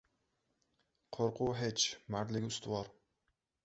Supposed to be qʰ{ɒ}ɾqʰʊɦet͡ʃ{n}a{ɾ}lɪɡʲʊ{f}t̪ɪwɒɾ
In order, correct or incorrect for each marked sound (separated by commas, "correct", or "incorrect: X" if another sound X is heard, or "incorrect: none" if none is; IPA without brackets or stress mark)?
incorrect: o, incorrect: m, correct, incorrect: s